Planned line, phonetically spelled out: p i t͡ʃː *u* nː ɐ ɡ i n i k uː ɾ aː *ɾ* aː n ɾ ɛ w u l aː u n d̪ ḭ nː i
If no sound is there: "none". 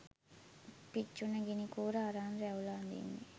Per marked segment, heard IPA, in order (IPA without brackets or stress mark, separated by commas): u, ɾ